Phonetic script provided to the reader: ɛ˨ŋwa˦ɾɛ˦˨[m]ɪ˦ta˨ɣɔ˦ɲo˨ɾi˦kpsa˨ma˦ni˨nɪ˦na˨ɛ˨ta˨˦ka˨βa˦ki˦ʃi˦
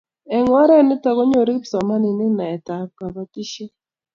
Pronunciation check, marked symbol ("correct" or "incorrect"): incorrect